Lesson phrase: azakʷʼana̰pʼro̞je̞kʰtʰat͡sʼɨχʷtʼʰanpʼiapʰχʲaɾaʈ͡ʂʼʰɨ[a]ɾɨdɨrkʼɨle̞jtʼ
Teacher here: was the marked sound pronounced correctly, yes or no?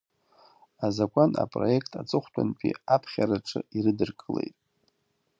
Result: no